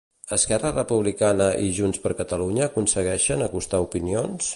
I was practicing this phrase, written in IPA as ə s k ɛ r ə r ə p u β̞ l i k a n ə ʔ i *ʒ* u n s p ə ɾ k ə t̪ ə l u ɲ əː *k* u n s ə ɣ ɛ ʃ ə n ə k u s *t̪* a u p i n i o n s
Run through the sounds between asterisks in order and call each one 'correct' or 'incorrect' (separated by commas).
correct, correct, correct